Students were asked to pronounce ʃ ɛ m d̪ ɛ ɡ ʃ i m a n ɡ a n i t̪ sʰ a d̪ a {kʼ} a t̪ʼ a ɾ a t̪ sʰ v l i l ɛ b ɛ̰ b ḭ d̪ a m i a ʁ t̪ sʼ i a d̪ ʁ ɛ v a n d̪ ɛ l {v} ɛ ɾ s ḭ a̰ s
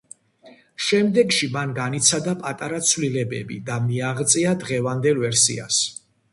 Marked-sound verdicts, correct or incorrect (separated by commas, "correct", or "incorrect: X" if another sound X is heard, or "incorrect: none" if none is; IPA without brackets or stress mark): incorrect: pʼ, correct